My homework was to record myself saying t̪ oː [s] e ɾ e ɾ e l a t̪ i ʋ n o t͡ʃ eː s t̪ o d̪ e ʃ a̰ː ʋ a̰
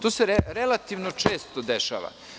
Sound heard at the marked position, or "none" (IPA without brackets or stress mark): s